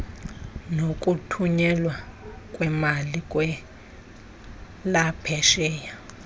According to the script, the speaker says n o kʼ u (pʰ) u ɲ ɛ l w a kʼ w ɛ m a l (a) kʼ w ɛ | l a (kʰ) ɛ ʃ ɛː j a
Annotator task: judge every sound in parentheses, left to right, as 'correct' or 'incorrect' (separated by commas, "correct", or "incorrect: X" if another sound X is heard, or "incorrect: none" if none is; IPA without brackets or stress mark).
incorrect: tʰ, incorrect: i, incorrect: pʰ